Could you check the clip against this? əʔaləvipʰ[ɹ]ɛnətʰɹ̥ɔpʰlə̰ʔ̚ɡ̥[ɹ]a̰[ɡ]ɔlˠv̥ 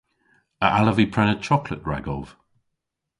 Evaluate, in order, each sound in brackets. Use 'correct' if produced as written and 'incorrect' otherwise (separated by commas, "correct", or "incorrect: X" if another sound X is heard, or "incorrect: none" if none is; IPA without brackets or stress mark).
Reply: correct, correct, correct